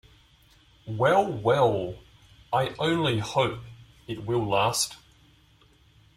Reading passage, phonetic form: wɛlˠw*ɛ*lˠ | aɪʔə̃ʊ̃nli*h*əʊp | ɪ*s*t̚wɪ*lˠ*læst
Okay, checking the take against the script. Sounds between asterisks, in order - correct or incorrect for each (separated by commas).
correct, correct, incorrect, correct